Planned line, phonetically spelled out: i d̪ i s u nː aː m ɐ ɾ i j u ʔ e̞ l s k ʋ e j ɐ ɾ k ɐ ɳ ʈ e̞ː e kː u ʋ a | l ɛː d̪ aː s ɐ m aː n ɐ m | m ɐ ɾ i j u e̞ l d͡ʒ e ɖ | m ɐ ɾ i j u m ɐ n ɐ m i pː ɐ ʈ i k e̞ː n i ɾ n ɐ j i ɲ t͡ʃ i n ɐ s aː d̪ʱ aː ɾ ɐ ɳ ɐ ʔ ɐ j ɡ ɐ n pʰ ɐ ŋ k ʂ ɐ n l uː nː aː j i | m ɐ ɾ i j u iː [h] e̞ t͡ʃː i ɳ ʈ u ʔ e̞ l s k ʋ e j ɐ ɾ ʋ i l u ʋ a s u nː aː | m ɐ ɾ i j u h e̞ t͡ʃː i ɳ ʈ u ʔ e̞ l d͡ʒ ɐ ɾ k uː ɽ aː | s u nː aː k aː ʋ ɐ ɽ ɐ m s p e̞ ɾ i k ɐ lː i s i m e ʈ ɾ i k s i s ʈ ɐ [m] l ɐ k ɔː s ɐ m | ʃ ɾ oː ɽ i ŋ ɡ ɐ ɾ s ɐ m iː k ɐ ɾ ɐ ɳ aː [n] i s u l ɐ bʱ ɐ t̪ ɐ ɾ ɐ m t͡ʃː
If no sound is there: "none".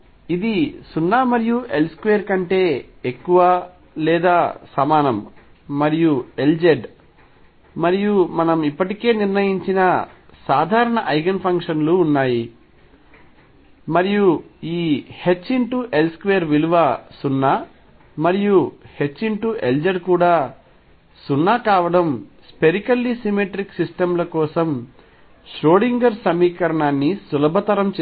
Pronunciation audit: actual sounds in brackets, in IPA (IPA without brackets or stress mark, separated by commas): h, m, nː